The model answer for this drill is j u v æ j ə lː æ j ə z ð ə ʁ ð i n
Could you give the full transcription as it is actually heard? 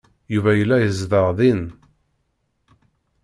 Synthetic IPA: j u v æ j ə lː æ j ə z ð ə ʁ ð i n